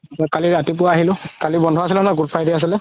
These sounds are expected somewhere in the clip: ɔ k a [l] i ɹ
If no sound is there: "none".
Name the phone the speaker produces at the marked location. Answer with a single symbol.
l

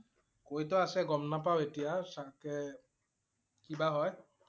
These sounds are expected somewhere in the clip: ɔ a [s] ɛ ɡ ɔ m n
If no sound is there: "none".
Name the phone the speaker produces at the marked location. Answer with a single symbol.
s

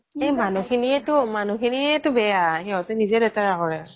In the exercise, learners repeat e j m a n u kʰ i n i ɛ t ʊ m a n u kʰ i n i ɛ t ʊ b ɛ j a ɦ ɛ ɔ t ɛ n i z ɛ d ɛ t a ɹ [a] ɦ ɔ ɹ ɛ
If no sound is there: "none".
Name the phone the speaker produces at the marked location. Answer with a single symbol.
a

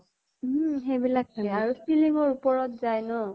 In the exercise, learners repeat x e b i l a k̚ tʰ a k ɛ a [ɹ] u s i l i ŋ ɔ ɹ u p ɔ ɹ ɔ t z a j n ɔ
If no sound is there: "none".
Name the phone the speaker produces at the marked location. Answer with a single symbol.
ɹ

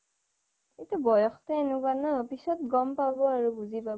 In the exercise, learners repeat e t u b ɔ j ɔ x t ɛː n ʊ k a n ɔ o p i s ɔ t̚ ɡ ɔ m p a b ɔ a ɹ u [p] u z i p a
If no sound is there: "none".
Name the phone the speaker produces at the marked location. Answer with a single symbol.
b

